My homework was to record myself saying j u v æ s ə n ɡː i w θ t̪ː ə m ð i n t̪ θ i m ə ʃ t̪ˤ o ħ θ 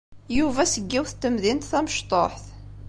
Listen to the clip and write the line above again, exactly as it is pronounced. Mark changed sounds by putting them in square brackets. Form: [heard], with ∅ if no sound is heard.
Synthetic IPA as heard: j u v æ s ə [∅] ɡː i w θ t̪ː ə m ð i n t̪ θ [æ] m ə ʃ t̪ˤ o ħ θ